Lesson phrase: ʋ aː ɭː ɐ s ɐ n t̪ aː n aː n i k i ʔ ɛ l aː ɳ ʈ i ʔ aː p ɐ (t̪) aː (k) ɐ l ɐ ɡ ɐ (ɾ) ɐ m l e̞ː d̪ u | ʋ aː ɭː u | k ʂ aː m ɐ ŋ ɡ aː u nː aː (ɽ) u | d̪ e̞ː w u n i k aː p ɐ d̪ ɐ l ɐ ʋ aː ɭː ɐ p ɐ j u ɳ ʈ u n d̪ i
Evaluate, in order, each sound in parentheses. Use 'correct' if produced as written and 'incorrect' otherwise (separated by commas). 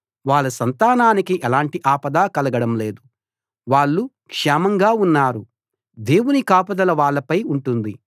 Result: incorrect, correct, incorrect, incorrect